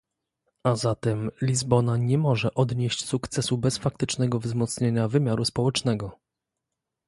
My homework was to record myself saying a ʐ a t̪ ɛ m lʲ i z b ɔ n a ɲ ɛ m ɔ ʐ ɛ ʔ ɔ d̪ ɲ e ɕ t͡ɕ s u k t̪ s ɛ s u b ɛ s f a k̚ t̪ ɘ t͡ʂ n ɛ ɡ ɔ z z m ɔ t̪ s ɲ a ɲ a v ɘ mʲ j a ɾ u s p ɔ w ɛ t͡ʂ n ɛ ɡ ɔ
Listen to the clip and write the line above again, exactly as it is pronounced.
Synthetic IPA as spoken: a z a t̪ ɛ m lʲ i z b ɔ n a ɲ ɛ m ɔ ʐ ɛ ʔ ɔ d̪ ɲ e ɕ t͡ɕ s u k t̪ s ɛ s u b ɛ s f a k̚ t̪ ɘ t͡ʂ n ɛ ɡ ɔ v z m ɔ t̪ s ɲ e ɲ a v ɘ mʲ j a ɾ u s p ɔ w ɛ t͡ʂ n ɛ ɡ ɔ

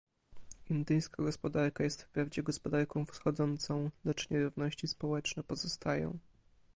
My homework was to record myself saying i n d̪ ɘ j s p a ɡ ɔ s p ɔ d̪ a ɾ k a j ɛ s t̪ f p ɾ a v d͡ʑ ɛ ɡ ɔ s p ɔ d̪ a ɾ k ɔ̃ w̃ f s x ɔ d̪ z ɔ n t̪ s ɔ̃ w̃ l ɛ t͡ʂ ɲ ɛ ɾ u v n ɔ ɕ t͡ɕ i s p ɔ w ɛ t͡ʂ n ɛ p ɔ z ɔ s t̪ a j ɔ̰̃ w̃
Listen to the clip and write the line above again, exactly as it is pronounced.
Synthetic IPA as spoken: i n d̪ ɘ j s k a ɡ ɔ s p ɔ d̪ a ɾ k a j ɛ s t̪ f p ɾ a v d͡ʑ ɛ ɡ ɔ s p ɔ d̪ a ɾ k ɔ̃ w̃ f s x ɔ d̪ z ɔ n t̪ s ɔ̃ w̃ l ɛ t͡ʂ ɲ ɛ ɾ u v n ɔ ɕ t͡ɕ i s p ɔ w ɛ t͡ʂ n ɛ p ɔ z ɔ s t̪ a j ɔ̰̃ w̃

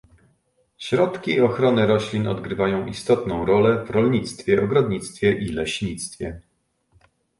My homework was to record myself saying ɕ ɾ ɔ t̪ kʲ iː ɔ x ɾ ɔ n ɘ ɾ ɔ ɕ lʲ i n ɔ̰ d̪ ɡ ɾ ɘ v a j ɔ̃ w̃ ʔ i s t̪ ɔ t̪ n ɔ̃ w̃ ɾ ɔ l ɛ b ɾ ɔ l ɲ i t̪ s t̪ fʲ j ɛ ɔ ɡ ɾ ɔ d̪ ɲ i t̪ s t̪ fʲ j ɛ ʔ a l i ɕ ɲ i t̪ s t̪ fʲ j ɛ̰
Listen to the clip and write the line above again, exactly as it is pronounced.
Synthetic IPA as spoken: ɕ ɾ ɔ t̪ kʲ iː ɔ x ɾ ɔ n ɘ ɾ ɔ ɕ lʲ i n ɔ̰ d̪ ɡ ɾ ɘ v a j ɔ̃ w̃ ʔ i s t̪ ɔ t̪ n ɔ̃ w̃ ɾ ɔ l ɛ v ɾ ɔ l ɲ i t̪ s t̪ fʲ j ɛ ɔ ɡ ɾ ɔ d̪ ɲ i t̪ s t̪ fʲ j ɛ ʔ i l ɛ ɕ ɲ i t̪ s t̪ fʲ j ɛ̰

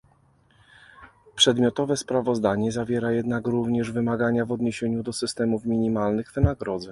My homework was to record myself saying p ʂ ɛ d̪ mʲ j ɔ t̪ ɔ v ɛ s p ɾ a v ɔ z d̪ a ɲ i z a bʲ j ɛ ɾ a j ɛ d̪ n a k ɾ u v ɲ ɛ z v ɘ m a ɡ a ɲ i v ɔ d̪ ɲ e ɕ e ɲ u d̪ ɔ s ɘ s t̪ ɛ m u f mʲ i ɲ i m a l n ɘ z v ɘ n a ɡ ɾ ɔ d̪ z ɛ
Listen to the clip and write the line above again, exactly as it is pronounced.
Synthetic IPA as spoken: p ʂ ɛ d̪ mʲ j ɔ t̪ ɔ v ɛ s p ɾ a v ɔ z d̪ a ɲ ɛ z a vʲ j ɛ ɾ a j ɛ d̪ n a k ɾ u v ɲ ɛ ʐ v ɘ m a ɡ a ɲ a v ɔ d̪ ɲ e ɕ e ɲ u d̪ ɔ s ɘ s t̪ ɛ m u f mʲ i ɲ i m a l n ɘ ɣ v ɘ n a ɡ ɾ ɔ d̪ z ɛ

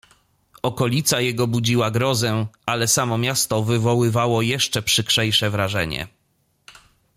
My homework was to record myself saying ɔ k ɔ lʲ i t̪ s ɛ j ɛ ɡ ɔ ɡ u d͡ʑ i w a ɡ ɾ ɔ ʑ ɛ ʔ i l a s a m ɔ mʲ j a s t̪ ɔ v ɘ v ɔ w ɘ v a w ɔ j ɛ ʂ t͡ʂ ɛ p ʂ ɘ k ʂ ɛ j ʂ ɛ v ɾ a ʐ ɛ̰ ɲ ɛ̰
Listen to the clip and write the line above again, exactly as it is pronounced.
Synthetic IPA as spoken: ɔ k ɔ lʲ i t̪ s a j ɛ ɡ ɔ b u d͡ʑ i w a ɡ ɾ ɔ z ɛ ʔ a l ɛ s a m ɔ mʲ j a s t̪ ɔ v ɘ v ɔ w ɘ v a w ɔ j ɛ ʂ t͡ʂ ɛ p ʂ ɘ k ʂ ɛ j ʂ ɛ v ɾ a ʐ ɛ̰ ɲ ɛ̰

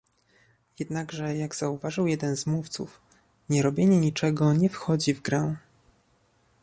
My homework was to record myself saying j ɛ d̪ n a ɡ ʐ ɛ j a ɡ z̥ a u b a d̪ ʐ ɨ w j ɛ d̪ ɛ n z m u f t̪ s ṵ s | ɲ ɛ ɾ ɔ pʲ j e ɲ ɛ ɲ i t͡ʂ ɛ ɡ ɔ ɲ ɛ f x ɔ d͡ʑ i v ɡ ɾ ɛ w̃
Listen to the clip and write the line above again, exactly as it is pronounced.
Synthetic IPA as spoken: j ɛ d̪ n a ɡ ʐ ɛ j a ɡ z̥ a u v a ʐ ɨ w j ɛ d̪ ɛ n z m u f t̪ s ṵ f | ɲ ɛ ɾ ɔ bʲ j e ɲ ɛ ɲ i t͡ʂ ɛ ɡ ɔ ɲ ɛ f x ɔ d͡ʑ i v ɡ ɾ ɛ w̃

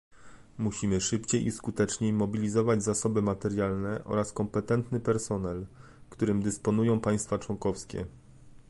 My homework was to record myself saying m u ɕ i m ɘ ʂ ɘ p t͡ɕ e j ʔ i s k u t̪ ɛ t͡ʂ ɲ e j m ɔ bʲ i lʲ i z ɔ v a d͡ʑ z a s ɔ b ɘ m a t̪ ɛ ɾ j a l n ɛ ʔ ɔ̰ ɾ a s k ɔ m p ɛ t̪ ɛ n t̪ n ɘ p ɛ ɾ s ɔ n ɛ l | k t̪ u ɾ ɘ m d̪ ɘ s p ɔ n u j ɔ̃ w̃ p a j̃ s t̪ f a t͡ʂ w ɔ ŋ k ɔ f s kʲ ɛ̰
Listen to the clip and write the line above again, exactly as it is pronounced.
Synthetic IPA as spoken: m u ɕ i m ɘ ʂ ɘ p t͡ɕ e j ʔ i s k u t̪ ɛ t͡ʂ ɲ e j m ɔ bʲ i lʲ i z ɔ v a d͡ʑ z a s ɔ b ɘ m a t̪ ɛ ɾ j a l n ɛ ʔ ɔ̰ ɾ a s k ɔ m p ɛ t̪ ɛ n t̪ n ɘ p ɛ ɾ s ɔ n ɛ l | k t̪ u ɾ ɘ m d̪ ɘ s p ɔ n u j ɔ̃ w̃ p a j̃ s t̪ f a t͡ʂ w ɔ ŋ k ɔ f s kʲ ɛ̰

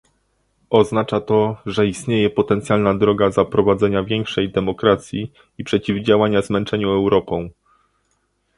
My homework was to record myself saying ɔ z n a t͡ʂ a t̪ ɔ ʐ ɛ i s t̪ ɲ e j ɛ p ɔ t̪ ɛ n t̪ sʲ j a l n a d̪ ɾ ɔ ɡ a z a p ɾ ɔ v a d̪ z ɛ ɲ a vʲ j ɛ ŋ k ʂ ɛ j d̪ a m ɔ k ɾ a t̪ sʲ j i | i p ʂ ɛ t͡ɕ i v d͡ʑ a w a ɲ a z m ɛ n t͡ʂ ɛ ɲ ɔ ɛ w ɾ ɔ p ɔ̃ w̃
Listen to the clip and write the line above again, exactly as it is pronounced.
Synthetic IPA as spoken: ɔ z n a t͡ʂ a t̪ ɔ ʐ ɛ i s t̪ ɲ e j ɛ p ɔ t̪ ɛ n t̪ sʲ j a l n a d̪ ɾ ɔ ɡ a z a p ɾ ɔ v a d̪ z ɛ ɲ a vʲ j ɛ ŋ k ʂ ɛ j d̪ ɛ m ɔ k ɾ a t̪ sʲ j i | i p ʂ ɛ t͡ɕ i v d͡ʑ a w a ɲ a z m ɛ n t͡ʂ ɛ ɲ u ɛ w ɾ ɔ p ɔ̃ w̃

